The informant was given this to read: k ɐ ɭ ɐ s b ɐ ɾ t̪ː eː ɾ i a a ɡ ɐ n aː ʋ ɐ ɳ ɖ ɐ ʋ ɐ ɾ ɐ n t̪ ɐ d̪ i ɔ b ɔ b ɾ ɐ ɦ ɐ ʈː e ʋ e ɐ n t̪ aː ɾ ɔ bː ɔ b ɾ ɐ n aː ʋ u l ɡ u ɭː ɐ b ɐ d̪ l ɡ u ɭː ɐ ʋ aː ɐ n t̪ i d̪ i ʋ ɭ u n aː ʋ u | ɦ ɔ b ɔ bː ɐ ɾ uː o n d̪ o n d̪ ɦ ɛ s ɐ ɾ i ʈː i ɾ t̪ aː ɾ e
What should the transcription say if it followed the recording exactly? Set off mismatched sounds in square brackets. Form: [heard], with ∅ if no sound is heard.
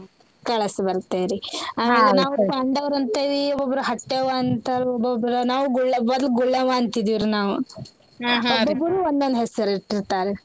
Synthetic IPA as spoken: k ɐ ɭ ɐ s b ɐ ɾ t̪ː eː ɾ i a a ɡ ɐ n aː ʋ ɐ ɳ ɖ ɐ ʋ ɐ ɾ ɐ n t̪ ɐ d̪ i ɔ b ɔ b ɾ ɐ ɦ ɐ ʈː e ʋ [a] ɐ n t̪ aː ɾ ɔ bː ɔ b ɾ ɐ n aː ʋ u [∅] ɡ u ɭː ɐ b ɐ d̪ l ɡ u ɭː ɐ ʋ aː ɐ n t̪ i d̪ i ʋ [ɾ] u n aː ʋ u | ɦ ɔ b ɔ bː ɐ ɾ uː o n d̪ o n d̪ ɦ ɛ s ɐ ɾ i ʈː i ɾ t̪ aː ɾ e